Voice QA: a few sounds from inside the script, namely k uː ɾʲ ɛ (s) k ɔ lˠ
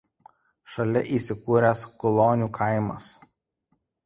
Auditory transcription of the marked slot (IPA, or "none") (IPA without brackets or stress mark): s